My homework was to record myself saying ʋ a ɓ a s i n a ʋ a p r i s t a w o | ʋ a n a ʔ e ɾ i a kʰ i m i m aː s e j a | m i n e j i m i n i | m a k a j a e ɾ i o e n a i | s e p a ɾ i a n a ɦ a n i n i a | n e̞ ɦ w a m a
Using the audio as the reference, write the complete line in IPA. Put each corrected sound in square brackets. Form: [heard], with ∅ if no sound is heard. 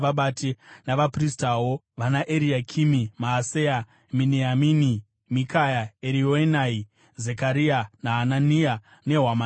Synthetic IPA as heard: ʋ a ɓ a [t] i n a ʋ a p r i s t a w o | ʋ a n a ʔ e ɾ i a kʰ i m i m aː s e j a | m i n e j [a] m i n i | m [i] k a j a e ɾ i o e n a i | [z] e [k] a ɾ i a n a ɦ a n [a] n i a | n e̞ ɦ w a m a